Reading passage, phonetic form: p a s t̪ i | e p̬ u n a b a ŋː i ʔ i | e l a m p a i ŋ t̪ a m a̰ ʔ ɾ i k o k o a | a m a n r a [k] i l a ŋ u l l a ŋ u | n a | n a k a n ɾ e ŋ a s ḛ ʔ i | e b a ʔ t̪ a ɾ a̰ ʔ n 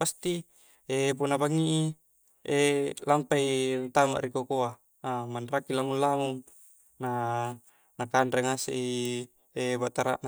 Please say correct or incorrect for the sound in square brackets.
correct